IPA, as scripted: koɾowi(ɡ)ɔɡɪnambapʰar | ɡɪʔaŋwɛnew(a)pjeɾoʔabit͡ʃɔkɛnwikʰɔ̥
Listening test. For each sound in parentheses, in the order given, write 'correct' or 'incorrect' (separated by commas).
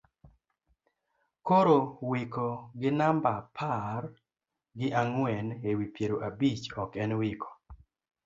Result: incorrect, incorrect